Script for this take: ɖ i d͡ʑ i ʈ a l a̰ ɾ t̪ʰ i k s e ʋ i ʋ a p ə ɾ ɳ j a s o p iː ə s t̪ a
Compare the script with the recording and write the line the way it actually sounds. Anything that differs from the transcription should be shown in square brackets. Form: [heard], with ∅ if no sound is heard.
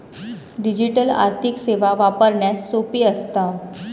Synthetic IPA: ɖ i d͡ʑ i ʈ [ə] l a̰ ɾ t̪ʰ i k s e ʋ [a] ʋ a p ə ɾ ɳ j a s o p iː ə s t̪ a